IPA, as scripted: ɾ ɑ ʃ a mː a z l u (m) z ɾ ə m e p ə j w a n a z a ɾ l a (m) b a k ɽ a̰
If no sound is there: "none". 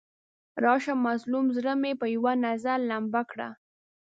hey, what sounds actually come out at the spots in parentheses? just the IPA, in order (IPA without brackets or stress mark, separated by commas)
m, m